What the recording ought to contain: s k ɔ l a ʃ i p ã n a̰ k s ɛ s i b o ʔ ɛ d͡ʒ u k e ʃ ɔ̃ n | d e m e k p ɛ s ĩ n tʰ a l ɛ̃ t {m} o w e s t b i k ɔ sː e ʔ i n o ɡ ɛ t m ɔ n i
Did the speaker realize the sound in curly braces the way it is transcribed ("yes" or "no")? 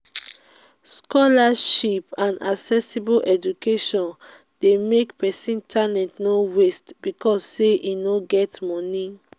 no